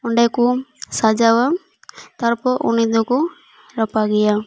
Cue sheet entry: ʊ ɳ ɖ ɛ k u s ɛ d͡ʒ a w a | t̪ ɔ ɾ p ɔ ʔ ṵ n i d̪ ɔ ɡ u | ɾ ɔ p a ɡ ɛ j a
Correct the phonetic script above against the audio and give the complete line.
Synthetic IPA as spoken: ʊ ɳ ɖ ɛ k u s a d͡ʒ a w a | t̪ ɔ ɾ p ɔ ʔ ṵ n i d̪ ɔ k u | ɾ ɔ p a ɡ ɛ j a